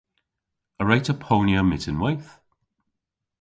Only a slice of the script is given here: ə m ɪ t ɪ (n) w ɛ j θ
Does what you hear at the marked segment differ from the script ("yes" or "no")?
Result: no